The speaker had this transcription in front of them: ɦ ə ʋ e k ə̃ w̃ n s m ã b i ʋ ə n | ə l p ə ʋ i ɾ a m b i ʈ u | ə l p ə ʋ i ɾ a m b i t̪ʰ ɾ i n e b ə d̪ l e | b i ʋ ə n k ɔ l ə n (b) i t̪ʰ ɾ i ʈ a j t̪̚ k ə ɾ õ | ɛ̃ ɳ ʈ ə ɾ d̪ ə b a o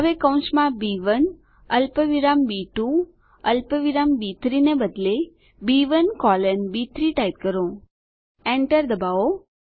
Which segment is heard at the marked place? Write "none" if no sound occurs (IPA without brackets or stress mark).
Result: b